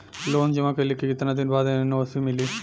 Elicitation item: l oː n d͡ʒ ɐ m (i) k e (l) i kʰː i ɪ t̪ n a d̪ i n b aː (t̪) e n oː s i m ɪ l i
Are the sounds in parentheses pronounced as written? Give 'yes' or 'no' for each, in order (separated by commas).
no, yes, no